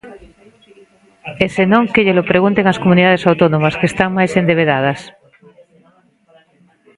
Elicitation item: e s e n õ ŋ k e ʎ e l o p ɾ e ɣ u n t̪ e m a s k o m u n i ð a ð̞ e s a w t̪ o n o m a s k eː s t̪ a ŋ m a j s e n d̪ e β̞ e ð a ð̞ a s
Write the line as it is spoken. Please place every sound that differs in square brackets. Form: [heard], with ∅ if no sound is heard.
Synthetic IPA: e s e n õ ŋ k e ʎ e l o p ɾ e ɣ u n t̪ e [ŋ] a s k o m u n i ð a ð̞ e s a w t̪ o n o m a s k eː s t̪ a ŋ m a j s e n d̪ e β̞ e ð a ð̞ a s